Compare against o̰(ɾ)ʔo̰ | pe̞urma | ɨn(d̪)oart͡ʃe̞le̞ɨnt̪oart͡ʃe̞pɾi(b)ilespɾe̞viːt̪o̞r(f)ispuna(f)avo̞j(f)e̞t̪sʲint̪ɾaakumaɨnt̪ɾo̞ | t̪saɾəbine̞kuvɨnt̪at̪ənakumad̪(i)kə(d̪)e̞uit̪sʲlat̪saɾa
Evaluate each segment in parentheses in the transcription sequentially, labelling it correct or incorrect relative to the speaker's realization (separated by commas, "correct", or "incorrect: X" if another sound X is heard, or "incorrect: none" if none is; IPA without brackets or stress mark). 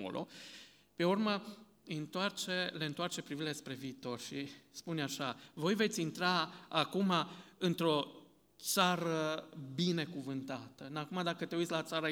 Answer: incorrect: l, incorrect: t̪, incorrect: v, incorrect: ʃ, incorrect: ʃ, incorrect: v, incorrect: a, incorrect: t̪